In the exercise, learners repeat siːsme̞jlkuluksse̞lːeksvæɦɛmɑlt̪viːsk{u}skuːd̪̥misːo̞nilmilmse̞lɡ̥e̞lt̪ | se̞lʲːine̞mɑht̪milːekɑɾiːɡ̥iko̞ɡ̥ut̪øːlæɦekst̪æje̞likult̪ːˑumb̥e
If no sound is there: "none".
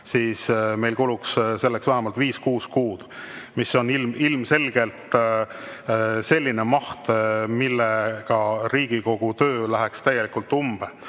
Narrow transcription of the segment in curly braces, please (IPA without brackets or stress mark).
uː